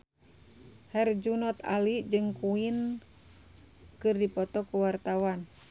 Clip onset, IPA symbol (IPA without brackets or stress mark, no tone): h